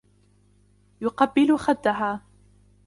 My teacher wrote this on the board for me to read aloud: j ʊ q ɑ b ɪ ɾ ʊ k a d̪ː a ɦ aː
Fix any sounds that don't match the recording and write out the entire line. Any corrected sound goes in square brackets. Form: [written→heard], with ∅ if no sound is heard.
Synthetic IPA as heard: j ʊ q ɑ [b→bː] ɪ [ɾ→l] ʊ [k→x] a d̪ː a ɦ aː